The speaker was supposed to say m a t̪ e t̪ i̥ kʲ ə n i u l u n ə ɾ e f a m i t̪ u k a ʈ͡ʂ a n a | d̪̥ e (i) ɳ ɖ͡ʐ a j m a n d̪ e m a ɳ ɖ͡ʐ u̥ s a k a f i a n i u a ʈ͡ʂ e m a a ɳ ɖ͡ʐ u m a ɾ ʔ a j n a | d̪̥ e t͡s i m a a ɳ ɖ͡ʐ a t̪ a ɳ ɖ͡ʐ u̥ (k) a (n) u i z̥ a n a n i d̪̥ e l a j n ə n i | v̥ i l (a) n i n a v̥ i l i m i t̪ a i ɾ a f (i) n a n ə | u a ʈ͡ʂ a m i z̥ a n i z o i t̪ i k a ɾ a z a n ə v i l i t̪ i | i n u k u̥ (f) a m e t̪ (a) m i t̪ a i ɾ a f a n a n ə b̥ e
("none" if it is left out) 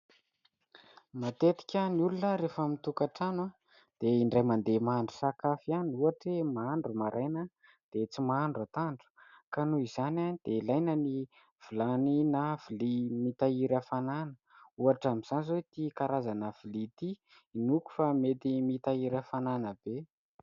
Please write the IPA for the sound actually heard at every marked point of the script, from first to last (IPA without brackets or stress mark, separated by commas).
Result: i, k, n, a, a, f, i